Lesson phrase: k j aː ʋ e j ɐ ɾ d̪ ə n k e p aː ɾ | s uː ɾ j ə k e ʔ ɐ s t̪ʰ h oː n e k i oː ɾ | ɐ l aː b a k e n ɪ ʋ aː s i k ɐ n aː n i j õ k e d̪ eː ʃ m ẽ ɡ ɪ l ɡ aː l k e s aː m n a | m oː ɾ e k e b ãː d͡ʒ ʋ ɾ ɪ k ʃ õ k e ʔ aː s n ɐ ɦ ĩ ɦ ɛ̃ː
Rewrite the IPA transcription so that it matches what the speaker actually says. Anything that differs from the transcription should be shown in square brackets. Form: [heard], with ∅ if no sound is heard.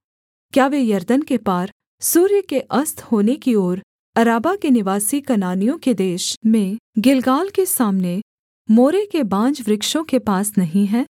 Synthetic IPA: k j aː ʋ e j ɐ ɾ d̪ ə n k e p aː ɾ | s uː ɾ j ə k e ʔ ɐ s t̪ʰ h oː n e k i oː ɾ | ɐ [ɾ] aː b a k e n ɪ ʋ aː s i k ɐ n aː n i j õ k e d̪ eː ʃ m ẽ ɡ ɪ l ɡ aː l k e s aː m n [e] | m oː ɾ e k e b ãː d͡ʒ ʋ ɾ ɪ k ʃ õ k e [p] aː s n ɐ ɦ ĩ ɦ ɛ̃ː